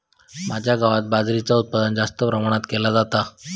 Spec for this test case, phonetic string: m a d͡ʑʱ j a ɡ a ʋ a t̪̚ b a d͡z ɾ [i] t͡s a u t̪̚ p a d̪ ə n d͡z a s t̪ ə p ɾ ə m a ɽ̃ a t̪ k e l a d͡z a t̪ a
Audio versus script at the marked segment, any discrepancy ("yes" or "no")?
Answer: no